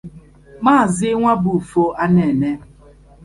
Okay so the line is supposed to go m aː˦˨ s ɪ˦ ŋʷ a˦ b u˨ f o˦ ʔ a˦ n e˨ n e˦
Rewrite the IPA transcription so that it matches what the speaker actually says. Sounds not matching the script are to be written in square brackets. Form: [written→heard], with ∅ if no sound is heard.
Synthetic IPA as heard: m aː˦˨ [s→z] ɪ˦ ŋʷ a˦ b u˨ f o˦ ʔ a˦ n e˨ n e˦